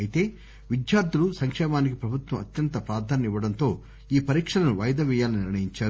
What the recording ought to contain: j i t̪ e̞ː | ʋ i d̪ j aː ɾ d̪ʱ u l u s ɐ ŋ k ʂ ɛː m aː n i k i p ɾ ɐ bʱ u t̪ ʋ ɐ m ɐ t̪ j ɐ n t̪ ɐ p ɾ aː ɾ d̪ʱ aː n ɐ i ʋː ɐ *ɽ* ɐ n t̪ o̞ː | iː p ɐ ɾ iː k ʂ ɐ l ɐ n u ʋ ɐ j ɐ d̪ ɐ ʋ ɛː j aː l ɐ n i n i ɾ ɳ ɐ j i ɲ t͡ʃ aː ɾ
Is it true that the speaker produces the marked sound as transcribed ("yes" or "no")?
yes